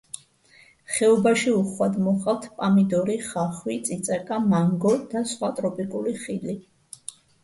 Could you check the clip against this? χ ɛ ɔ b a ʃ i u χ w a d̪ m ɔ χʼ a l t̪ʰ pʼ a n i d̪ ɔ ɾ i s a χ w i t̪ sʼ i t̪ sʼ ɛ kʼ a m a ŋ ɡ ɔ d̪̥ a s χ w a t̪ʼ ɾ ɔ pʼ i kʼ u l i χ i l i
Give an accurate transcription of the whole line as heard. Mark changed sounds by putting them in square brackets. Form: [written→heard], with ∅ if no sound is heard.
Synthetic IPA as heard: χ ɛ ɔ b a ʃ i u χ w a d̪ m ɔ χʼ a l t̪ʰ pʼ a [n→m] i d̪ ɔ ɾ i [s→χ] a χ w i t̪ sʼ i t̪ sʼ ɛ kʼ a m a ŋ ɡ ɔ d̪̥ a s χ w a t̪ʼ ɾ ɔ pʼ i kʼ u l i χ i l i